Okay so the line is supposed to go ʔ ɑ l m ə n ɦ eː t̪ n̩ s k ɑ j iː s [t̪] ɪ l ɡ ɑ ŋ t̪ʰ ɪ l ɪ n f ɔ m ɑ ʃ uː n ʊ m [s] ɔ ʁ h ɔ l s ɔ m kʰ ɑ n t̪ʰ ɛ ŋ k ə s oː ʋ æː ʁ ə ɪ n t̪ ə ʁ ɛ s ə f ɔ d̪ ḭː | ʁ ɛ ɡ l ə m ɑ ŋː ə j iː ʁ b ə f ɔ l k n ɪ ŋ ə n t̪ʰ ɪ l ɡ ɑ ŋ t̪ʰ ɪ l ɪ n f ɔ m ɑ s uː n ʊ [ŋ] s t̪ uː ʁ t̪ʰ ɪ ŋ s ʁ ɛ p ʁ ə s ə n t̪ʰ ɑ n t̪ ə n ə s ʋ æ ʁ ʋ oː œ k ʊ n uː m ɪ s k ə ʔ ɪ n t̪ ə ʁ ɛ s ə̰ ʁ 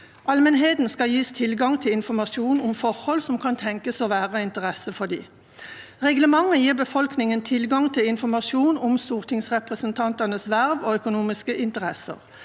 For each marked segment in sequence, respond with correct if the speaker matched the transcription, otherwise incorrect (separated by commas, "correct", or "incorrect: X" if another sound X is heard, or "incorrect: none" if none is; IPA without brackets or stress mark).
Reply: incorrect: t̪ʰ, incorrect: f, incorrect: m